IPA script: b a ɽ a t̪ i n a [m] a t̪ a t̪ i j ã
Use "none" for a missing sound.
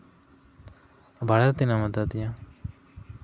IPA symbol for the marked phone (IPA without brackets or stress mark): m